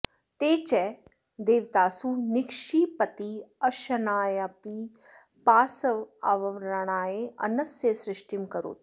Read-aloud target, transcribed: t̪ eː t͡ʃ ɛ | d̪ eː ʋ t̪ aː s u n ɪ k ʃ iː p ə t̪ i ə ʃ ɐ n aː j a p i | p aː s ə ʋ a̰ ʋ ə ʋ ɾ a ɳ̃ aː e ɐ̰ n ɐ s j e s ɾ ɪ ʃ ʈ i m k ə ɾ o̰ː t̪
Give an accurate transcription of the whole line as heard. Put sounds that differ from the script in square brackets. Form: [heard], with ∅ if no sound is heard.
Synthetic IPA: t̪ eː t͡ʃ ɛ | d̪ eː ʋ t̪ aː s u n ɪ k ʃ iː p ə t̪ i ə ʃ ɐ n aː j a p i | p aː s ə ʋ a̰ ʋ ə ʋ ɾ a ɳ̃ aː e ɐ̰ n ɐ s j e s ɾ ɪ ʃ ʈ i m k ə ɾ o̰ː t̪